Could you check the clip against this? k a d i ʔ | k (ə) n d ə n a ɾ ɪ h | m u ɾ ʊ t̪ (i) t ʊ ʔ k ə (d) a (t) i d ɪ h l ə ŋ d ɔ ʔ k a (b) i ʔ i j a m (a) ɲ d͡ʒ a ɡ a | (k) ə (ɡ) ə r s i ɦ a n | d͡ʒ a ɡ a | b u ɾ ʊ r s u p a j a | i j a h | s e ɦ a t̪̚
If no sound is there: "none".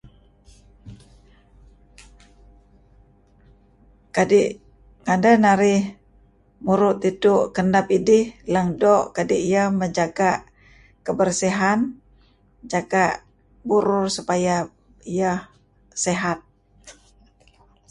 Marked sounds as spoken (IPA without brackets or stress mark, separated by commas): a, i, n, p, d, ə, k, b